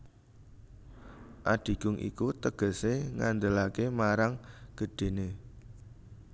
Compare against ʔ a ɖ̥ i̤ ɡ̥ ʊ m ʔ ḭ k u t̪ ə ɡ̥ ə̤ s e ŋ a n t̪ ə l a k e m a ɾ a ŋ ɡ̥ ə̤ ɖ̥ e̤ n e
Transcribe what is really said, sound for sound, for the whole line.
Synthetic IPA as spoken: ʔ a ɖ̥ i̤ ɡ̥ ʊ ŋ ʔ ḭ k u t̪ ə ɡ̥ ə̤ s e ŋ a n d̪ ə l a k e m a ɾ a ŋ ɡ̥ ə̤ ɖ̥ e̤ n e